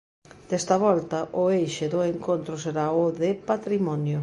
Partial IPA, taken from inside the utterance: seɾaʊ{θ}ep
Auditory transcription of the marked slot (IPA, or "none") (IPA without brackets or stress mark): ð